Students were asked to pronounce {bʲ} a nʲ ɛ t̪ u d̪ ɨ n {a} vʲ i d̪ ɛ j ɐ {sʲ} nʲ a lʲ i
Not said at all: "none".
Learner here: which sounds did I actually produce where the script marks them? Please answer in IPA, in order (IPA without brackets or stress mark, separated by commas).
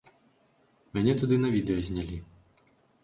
mʲ, ɐ, zʲ